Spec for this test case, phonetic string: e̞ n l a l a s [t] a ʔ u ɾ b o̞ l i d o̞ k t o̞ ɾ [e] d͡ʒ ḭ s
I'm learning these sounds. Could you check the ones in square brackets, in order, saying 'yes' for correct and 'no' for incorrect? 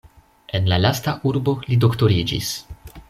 yes, no

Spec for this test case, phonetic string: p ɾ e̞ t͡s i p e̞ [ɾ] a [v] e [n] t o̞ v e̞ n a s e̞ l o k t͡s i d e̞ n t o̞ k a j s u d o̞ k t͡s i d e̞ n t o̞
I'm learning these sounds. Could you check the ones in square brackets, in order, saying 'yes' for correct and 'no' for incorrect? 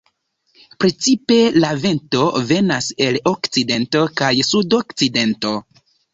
no, yes, yes

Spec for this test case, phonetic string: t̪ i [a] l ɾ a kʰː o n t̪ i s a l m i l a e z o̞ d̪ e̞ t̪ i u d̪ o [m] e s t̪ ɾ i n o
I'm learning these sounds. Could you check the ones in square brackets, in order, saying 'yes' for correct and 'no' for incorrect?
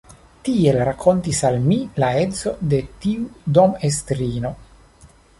no, yes

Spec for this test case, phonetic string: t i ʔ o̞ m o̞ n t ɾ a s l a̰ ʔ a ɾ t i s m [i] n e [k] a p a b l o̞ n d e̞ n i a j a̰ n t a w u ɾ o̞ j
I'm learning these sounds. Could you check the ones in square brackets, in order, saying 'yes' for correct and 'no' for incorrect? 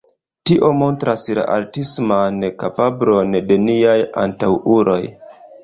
no, yes

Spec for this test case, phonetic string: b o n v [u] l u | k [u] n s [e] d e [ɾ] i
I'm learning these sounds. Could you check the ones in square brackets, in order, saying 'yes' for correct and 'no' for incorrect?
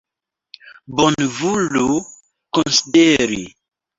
yes, no, no, yes

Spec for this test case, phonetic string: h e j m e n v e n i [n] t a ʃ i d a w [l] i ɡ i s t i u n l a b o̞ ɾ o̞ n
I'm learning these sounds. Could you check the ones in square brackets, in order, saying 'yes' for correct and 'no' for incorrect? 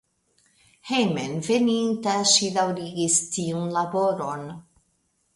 yes, no

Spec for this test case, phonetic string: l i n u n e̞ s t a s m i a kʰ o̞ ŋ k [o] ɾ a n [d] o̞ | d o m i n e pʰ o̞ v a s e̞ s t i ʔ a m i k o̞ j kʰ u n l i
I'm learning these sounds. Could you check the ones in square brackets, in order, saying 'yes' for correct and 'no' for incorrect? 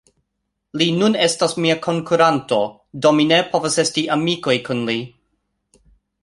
no, no

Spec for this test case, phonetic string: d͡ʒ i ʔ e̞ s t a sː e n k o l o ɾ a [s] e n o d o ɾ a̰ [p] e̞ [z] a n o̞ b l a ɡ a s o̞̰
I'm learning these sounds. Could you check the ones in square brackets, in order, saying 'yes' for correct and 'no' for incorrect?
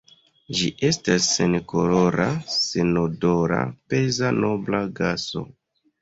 yes, yes, yes

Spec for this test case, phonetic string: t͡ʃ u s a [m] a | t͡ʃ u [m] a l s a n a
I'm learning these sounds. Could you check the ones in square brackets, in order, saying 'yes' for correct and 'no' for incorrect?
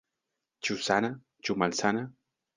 no, yes

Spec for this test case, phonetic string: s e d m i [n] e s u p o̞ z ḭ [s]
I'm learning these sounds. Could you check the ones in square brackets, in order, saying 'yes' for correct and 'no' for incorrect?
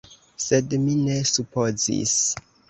yes, yes

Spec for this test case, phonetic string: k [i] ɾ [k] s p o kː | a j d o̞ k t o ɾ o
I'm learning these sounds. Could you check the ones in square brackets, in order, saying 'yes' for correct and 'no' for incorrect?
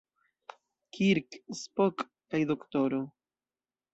yes, yes

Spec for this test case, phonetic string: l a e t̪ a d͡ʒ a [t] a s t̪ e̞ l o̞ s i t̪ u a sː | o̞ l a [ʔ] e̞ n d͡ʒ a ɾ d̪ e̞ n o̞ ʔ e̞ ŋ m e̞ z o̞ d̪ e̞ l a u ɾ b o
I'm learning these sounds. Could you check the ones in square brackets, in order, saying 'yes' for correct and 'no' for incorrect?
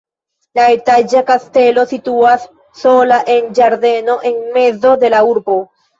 no, yes

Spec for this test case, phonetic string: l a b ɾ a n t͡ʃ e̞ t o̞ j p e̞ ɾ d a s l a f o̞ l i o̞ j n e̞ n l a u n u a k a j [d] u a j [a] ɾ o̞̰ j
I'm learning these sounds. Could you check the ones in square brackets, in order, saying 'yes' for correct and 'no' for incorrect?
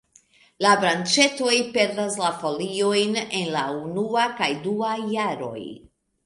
yes, yes

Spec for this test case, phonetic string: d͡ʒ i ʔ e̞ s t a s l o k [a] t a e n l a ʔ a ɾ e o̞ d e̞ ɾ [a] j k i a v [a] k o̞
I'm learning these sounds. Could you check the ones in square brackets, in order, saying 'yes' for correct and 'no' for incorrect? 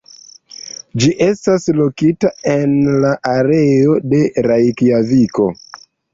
no, yes, no

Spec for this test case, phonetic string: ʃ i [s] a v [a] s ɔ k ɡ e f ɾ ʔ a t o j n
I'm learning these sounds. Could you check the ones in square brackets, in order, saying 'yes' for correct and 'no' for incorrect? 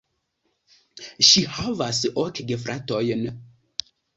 no, yes

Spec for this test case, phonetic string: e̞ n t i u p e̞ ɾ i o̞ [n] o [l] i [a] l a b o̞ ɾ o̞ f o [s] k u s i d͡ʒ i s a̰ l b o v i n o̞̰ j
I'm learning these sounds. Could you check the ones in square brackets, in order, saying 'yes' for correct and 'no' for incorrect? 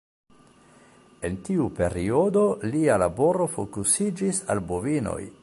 no, yes, yes, no

